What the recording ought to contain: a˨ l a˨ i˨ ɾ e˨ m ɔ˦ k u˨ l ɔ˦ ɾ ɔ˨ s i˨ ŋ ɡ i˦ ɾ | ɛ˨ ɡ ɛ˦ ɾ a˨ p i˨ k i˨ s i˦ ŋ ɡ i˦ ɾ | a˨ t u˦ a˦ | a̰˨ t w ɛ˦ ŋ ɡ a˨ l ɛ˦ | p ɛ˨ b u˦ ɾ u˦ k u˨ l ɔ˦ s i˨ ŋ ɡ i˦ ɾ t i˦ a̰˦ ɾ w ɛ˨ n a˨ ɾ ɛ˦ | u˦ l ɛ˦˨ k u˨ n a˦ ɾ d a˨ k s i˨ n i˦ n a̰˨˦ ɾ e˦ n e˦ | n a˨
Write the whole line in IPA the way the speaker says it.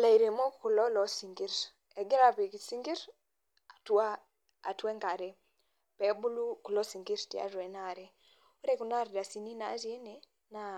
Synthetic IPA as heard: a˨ l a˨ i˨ ɾ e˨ m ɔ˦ k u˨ l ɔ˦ l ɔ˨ s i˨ ŋ ɡ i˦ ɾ | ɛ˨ ɡ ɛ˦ ɾ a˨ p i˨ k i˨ s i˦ ŋ ɡ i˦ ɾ | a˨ t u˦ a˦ | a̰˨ t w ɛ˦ ŋ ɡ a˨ ɾ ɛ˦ | p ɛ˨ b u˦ l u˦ k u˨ l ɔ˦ s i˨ ŋ ɡ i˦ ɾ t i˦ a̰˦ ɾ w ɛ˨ n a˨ ɾ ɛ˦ | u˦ ɾ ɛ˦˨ k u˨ n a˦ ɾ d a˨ s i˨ n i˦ n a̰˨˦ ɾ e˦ n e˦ | n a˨